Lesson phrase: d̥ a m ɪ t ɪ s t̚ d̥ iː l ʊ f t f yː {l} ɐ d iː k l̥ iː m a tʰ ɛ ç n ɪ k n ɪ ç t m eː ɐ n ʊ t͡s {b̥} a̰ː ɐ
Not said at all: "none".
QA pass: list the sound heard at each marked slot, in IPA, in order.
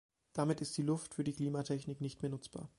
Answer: none, b̥

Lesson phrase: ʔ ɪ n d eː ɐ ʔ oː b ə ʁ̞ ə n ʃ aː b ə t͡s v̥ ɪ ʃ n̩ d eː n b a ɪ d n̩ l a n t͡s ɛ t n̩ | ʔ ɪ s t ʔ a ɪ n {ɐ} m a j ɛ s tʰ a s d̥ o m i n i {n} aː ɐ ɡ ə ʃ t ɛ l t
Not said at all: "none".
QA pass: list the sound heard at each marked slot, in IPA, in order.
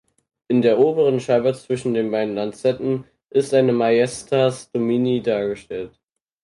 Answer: ə, d

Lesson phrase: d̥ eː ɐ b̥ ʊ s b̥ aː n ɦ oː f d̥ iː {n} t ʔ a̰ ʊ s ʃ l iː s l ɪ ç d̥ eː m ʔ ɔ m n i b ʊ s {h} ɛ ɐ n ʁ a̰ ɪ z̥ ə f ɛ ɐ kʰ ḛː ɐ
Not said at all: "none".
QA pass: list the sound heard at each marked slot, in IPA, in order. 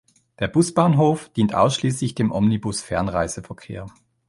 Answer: n, f

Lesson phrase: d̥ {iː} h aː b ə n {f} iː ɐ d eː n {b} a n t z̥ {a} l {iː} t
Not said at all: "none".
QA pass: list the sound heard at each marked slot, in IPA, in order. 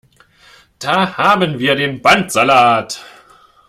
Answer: aː, v, b, a, aː

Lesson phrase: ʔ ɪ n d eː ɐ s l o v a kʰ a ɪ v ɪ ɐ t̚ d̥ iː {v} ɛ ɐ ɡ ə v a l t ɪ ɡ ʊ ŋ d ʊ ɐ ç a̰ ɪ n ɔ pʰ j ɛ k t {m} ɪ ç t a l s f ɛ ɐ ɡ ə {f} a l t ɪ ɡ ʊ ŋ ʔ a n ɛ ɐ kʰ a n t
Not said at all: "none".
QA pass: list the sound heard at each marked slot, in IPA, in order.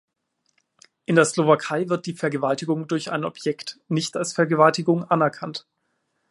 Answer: f, n, v

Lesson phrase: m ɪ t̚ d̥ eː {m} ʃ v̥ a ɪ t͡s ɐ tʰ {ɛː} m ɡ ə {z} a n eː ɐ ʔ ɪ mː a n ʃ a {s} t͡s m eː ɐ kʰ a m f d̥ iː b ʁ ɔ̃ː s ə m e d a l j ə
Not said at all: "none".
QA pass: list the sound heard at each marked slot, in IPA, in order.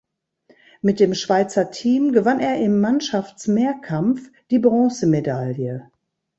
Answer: m, iː, v, f

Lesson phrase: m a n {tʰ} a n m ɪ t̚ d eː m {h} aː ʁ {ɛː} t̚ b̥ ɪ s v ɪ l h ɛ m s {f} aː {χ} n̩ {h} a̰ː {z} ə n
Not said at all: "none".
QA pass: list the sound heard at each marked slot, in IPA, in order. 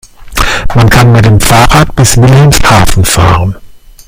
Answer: kʰ, f, aː, h, f, f, ʁ

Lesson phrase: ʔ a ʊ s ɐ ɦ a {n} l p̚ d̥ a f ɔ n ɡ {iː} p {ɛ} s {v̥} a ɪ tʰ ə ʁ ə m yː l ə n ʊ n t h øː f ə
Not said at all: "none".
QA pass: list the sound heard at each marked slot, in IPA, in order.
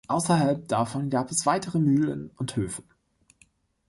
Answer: none, aː, ɛ, v̥

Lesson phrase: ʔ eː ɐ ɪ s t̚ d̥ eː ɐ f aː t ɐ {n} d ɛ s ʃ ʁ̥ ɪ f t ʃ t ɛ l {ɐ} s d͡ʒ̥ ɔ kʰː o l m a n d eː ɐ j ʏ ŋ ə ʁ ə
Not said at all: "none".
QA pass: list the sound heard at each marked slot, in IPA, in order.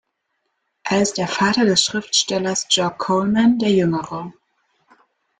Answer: none, ɐ

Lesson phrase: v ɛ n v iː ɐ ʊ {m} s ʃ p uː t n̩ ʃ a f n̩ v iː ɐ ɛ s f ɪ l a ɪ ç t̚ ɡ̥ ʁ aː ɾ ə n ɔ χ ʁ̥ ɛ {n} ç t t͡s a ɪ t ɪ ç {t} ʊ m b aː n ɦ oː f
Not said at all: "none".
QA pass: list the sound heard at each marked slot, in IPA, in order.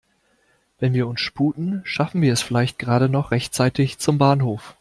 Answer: n, none, t͡s

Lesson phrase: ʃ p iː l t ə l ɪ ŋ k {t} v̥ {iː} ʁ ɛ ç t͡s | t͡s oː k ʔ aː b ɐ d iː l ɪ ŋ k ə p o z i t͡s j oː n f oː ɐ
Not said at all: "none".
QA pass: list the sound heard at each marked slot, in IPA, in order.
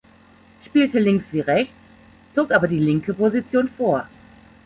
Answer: s, iː

